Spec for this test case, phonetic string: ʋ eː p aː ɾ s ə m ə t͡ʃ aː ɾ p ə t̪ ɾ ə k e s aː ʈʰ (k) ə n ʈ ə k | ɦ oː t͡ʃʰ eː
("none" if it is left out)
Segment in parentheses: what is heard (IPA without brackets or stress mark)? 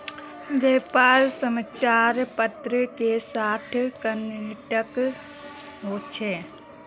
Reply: k